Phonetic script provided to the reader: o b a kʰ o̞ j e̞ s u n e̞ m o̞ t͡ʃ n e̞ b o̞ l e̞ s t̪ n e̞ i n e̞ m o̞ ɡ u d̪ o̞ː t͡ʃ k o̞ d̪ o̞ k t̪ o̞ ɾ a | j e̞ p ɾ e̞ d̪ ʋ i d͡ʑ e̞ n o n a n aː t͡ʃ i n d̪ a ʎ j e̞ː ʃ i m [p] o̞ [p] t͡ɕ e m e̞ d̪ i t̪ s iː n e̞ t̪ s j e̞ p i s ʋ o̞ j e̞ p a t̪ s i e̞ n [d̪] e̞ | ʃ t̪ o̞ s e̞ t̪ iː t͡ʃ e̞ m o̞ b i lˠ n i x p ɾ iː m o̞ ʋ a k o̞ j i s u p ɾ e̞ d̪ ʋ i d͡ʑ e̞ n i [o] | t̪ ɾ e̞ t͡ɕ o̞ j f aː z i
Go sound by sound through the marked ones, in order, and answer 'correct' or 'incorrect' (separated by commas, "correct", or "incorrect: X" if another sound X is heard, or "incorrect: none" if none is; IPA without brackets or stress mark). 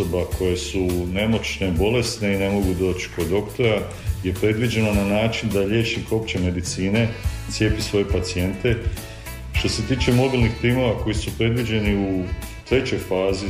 incorrect: k, correct, incorrect: t̪, incorrect: u